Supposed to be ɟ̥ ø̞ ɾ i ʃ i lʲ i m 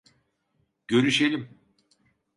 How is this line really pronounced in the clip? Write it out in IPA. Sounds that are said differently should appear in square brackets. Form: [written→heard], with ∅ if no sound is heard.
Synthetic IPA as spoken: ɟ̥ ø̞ ɾ [i→y] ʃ [i→e] lʲ i m